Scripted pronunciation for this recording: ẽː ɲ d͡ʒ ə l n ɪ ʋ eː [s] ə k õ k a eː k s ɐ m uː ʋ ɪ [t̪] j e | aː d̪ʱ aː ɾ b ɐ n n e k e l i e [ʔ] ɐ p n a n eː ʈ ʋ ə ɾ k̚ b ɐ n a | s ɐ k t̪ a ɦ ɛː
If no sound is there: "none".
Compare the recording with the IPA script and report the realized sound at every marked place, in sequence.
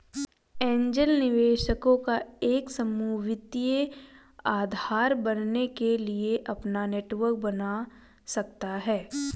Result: ʃ, t̪, ʔ

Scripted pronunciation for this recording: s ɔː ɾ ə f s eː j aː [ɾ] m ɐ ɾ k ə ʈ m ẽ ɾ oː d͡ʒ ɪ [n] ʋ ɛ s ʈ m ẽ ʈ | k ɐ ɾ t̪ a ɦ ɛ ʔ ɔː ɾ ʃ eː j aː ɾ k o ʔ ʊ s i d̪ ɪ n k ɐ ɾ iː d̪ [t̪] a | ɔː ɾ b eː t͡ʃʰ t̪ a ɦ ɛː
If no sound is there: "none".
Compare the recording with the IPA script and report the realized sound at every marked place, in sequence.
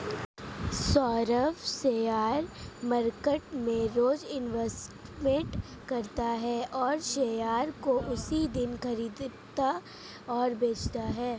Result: ɾ, n, t̪

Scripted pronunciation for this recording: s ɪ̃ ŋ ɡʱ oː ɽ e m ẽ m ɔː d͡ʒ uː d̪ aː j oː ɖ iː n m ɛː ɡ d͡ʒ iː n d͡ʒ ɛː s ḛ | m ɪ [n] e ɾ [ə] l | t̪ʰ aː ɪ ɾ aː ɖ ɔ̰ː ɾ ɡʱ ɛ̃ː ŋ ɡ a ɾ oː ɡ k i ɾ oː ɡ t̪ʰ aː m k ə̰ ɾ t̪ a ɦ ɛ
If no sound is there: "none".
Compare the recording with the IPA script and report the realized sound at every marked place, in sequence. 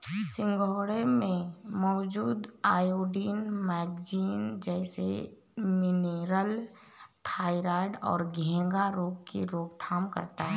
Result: n, ə

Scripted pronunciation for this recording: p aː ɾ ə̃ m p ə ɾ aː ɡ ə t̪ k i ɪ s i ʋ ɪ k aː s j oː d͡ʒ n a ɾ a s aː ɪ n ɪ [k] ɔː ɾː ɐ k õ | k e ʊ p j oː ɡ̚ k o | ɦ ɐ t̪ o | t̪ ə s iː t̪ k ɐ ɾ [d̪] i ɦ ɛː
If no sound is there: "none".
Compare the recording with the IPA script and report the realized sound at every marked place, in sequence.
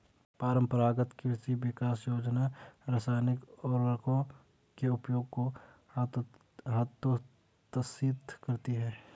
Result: k, t̪

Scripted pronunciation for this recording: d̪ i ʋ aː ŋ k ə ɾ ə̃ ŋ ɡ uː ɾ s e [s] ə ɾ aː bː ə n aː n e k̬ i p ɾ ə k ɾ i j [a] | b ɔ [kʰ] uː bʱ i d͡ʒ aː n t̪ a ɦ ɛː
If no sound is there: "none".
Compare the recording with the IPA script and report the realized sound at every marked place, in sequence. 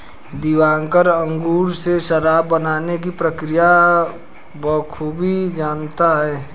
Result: ʃ, a, kʰ

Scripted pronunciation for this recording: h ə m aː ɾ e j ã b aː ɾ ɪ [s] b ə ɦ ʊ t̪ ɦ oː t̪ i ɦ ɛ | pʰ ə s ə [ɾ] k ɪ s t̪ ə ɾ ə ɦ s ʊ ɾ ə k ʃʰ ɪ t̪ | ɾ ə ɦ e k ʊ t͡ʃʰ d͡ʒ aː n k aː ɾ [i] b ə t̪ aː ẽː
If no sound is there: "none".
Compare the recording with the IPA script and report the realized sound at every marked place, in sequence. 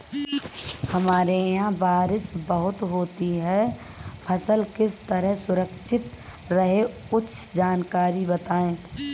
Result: s, l, i

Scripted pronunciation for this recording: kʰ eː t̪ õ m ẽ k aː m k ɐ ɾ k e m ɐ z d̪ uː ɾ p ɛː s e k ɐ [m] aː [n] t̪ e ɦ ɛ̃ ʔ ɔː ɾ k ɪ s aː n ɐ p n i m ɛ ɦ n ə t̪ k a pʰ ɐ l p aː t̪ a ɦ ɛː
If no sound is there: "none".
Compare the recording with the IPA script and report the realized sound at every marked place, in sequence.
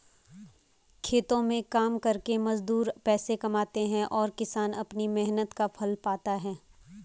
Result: m, none

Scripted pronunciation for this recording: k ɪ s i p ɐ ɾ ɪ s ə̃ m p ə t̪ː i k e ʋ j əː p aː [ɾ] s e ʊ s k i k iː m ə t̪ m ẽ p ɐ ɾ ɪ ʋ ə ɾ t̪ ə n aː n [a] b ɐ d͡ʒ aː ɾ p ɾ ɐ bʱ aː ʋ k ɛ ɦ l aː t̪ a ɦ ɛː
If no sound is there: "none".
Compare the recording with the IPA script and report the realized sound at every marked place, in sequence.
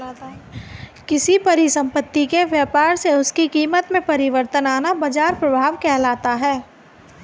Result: ɾ, a

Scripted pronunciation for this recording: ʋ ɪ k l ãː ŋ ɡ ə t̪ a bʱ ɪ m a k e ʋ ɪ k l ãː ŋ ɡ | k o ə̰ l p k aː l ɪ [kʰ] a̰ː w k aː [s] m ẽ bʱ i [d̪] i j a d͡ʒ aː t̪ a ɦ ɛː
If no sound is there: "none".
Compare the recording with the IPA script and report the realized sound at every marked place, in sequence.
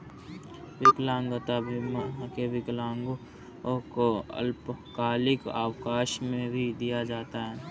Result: k, ʃ, d̪

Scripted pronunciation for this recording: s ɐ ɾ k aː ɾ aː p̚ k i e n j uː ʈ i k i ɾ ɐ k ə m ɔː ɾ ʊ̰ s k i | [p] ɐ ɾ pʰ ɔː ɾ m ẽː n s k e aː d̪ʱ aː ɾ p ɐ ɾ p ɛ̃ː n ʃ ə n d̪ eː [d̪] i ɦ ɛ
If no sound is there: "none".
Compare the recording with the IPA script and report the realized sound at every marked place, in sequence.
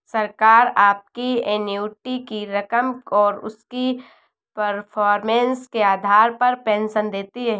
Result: p, t̪

